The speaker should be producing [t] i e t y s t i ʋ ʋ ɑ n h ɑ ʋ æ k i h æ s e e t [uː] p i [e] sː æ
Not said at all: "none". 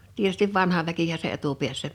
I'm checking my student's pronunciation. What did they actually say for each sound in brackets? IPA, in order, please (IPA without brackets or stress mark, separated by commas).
t, u, æ